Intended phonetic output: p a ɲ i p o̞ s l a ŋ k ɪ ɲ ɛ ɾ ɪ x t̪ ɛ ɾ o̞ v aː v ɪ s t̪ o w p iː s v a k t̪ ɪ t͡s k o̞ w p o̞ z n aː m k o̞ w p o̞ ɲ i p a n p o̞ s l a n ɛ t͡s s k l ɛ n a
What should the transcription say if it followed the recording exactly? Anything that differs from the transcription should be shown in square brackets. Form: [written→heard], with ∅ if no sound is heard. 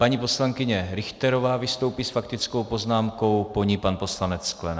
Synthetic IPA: p a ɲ i p o̞ s l a ŋ k ɪ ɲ ɛ ɾ ɪ x t̪ ɛ ɾ o̞ v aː v ɪ s t̪ o w p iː s [v→f] a k t̪ ɪ t͡s k o̞ w p o̞ z n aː m k o̞ w p o̞ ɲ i p a n p o̞ s l a n ɛ t͡s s k l ɛ n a